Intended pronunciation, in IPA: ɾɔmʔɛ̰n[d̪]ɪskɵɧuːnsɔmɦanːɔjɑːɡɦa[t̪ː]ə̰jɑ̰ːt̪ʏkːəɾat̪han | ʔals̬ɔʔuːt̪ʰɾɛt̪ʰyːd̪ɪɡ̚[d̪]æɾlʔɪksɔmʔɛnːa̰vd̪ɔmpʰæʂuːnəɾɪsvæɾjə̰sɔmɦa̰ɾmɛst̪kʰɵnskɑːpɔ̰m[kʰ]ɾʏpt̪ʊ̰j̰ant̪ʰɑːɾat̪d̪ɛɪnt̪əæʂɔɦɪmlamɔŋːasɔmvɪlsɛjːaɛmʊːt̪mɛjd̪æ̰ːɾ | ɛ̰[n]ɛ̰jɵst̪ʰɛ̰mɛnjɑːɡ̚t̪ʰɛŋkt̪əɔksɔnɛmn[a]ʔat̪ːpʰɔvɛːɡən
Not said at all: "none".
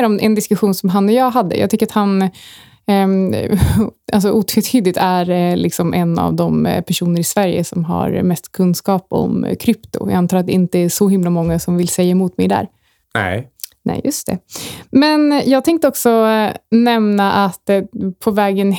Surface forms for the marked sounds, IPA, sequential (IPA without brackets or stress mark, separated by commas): d̪, d̪ː, t̪, kʰ, n, a